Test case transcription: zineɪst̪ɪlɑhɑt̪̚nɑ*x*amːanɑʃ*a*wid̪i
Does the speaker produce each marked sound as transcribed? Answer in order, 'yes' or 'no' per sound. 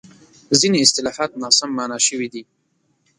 no, no

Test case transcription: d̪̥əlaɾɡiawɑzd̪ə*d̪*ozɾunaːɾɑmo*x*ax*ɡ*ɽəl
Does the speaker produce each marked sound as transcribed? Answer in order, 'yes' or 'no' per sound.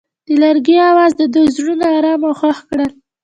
yes, yes, no

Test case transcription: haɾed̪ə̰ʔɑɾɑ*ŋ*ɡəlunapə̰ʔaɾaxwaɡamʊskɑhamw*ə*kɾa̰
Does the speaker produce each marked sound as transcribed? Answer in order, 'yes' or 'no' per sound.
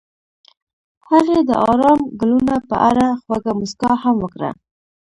no, yes

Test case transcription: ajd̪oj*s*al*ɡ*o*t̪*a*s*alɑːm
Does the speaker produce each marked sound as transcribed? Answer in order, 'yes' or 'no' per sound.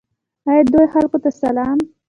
no, no, yes, yes

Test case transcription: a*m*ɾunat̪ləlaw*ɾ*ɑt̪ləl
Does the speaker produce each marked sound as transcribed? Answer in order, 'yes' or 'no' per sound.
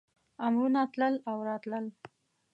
yes, yes

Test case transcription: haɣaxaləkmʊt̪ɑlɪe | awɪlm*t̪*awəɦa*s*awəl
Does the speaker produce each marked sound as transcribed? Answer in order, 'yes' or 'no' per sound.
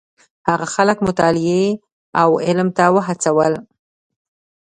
yes, no

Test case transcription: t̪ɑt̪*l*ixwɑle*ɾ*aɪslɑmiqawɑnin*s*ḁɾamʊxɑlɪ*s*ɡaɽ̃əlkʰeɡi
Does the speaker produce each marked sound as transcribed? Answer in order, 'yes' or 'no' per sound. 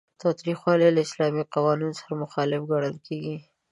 no, no, yes, no

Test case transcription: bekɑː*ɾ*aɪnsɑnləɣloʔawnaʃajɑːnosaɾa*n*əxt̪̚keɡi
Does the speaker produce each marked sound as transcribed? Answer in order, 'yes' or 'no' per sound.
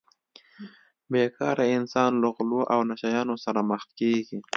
yes, no

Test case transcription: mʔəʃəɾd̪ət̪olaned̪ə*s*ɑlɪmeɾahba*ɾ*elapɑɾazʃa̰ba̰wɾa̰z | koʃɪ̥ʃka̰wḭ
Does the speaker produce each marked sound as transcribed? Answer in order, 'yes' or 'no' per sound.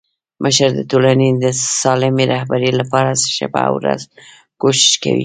yes, yes

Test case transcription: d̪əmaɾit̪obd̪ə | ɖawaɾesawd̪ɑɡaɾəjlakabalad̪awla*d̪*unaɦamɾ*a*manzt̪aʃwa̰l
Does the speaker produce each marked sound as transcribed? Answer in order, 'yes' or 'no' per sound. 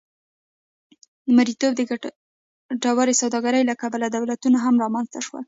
no, no

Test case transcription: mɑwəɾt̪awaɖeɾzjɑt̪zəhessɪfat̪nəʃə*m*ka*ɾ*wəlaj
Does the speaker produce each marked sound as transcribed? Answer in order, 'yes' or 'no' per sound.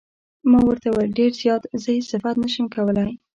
yes, no

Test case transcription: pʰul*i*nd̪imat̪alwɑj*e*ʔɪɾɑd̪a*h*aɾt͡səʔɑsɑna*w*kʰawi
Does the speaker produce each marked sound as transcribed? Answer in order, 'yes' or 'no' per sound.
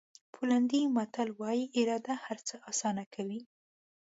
no, no, yes, no

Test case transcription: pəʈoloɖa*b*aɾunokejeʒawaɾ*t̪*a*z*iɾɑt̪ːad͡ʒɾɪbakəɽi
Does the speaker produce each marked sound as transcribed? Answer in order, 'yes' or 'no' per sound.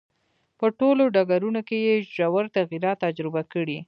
no, yes, no

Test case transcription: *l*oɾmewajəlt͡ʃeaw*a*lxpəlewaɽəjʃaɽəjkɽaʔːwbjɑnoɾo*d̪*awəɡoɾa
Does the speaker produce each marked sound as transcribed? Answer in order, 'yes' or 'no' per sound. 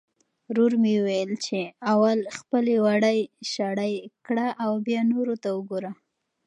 no, yes, no

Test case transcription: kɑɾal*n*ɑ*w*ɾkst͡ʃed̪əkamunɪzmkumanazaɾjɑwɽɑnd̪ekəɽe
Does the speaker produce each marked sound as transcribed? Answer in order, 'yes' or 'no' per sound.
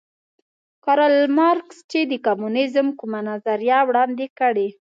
no, no

